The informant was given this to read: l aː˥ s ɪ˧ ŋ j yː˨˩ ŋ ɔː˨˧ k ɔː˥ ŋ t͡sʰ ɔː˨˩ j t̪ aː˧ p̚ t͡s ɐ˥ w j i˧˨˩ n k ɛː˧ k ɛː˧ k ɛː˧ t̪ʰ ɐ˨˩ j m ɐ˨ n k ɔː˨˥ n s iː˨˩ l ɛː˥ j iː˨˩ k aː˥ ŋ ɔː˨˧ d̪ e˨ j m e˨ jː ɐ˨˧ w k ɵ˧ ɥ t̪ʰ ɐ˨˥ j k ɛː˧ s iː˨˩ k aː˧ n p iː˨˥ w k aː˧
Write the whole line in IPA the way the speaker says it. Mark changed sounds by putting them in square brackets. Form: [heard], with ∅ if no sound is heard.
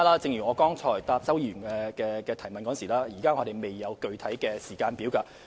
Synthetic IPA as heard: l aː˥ [t͡s] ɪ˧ ŋ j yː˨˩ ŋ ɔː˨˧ k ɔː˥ ŋ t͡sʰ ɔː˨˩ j t̪ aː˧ p̚ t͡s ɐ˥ w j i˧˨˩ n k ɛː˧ k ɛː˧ k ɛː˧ t̪ʰ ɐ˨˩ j m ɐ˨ n k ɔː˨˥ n s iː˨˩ l [aː˥] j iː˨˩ k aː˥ ŋ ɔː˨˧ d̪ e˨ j m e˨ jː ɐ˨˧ w k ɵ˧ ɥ t̪ʰ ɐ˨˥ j k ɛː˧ s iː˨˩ k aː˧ n p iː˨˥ w k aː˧